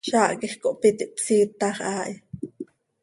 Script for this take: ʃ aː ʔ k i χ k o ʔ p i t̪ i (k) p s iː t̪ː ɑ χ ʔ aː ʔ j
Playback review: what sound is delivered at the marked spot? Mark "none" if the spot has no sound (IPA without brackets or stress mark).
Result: ʔ